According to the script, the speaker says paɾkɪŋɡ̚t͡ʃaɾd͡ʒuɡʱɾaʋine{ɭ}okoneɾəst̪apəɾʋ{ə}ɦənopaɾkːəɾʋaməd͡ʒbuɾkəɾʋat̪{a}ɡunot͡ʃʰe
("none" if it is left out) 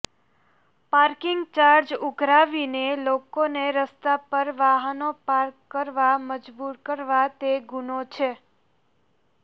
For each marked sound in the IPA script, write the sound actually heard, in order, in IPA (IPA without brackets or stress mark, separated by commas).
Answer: l, a, e